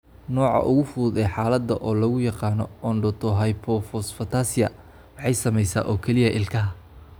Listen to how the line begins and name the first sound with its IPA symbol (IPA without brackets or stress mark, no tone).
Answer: n